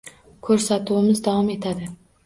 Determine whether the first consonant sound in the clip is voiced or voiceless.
voiceless